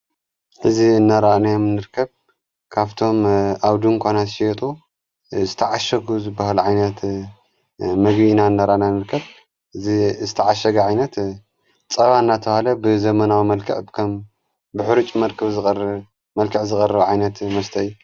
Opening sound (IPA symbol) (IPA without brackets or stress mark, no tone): ħ